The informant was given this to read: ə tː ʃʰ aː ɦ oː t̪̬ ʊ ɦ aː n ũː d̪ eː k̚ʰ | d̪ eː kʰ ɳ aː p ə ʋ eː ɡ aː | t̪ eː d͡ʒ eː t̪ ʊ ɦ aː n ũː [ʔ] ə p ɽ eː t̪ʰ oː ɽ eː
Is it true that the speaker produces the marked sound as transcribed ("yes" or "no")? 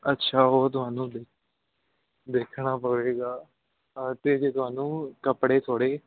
no